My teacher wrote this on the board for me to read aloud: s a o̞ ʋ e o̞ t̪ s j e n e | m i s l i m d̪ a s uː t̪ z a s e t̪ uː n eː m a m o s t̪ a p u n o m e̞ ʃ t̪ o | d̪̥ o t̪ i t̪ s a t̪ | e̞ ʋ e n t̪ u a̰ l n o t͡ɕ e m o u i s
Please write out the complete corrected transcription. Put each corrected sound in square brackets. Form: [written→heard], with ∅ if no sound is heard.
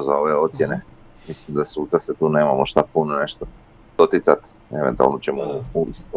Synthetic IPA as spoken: [s→z] a o̞ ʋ e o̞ t̪ s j e n e | m i s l i m d̪ a s uː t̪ [z→s] a s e t̪ uː n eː m a m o [s→ʃ] t̪ a p u n o [m→n] e̞ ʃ t̪ o | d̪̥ o t̪ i t̪ s a t̪ | e̞ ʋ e n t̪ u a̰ l n o t͡ɕ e m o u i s